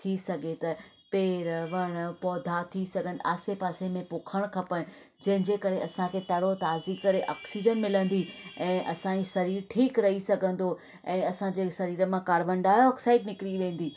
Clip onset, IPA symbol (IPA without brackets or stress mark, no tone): t̪ʰ